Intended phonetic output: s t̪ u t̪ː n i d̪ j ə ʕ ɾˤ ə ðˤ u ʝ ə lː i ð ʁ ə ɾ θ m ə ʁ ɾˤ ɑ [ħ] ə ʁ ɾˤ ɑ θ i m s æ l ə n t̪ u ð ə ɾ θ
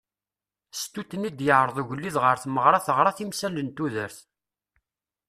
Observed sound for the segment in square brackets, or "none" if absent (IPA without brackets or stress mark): θ